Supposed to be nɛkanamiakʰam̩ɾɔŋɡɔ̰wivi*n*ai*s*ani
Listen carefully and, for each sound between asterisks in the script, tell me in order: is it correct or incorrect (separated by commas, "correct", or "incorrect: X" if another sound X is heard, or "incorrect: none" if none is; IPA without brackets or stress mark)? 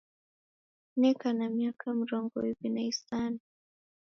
correct, correct